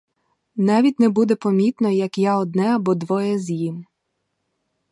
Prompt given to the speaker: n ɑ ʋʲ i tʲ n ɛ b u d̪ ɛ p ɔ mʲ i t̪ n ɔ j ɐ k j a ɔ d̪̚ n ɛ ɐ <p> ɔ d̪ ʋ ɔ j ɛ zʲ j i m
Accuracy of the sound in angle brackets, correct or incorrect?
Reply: incorrect: b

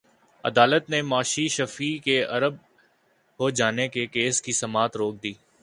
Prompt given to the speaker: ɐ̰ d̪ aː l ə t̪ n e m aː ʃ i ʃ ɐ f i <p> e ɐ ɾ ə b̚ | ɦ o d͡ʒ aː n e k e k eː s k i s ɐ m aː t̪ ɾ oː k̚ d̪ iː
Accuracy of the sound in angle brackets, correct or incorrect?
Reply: incorrect: k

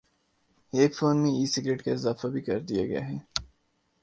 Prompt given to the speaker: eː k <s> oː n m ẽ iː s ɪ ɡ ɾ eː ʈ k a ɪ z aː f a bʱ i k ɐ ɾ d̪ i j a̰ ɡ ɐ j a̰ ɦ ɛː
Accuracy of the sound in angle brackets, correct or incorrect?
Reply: incorrect: f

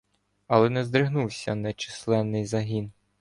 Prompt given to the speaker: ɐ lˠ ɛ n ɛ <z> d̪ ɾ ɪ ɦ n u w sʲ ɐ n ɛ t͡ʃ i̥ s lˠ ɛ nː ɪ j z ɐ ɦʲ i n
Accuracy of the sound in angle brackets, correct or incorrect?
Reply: correct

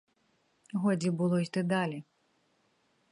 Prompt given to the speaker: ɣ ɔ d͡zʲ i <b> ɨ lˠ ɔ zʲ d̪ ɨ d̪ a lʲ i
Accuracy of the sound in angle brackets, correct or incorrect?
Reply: correct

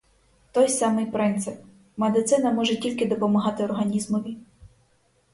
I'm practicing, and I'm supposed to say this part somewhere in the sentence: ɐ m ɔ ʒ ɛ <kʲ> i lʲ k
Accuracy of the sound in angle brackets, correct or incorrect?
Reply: incorrect: tʲ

